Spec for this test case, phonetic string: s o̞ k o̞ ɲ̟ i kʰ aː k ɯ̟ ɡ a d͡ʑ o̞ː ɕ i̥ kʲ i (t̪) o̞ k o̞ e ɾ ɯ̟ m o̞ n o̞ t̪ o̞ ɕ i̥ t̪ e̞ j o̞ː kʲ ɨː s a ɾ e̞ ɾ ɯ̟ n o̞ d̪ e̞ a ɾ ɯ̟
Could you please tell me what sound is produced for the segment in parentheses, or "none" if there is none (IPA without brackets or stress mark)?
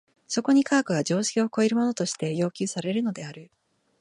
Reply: none